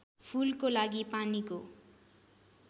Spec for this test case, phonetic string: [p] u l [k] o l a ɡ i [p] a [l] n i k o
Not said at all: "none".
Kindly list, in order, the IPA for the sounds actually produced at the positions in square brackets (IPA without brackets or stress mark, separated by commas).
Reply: pʰ, k, p, none